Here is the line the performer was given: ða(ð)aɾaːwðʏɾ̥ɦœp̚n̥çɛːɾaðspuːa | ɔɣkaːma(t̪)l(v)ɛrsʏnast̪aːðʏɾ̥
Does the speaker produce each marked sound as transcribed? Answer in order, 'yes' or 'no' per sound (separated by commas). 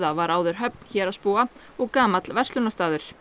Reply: no, yes, yes